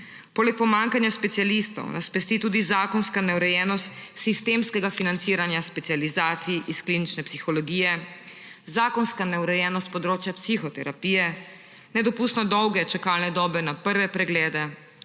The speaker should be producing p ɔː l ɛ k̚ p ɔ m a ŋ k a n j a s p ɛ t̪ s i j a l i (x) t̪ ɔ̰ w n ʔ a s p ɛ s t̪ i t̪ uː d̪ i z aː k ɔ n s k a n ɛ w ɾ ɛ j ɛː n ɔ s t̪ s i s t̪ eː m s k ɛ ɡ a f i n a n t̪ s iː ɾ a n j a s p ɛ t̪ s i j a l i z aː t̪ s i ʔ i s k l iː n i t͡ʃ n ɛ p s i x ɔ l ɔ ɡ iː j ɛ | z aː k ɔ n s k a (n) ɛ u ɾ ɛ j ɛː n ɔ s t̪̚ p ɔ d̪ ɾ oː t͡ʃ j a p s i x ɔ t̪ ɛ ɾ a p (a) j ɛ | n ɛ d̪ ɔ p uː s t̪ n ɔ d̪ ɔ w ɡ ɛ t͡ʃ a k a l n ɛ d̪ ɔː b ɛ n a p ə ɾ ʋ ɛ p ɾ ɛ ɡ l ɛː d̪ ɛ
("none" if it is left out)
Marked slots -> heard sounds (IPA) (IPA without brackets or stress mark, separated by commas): s, n, i